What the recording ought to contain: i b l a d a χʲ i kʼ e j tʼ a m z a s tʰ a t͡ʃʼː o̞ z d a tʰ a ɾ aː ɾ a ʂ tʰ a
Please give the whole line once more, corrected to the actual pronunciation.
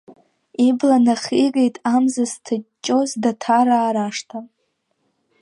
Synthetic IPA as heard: i b l a n a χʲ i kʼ e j tʼ a m z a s tʰ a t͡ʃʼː o̞ z d a tʰ a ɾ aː ɾ a ʂ tʰ a